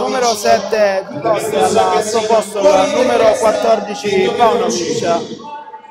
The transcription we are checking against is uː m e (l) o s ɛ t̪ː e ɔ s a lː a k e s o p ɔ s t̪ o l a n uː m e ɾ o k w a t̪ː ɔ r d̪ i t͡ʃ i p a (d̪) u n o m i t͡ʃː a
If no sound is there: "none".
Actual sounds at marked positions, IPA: ɾ, none

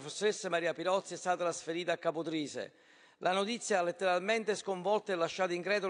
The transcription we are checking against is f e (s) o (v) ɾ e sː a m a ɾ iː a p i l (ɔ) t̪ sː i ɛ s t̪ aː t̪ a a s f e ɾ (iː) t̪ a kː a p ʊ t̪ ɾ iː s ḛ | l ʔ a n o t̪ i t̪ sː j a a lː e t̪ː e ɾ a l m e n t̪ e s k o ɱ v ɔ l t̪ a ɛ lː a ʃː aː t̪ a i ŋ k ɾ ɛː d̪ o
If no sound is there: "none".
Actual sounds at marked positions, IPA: sː, none, ɔ, iː

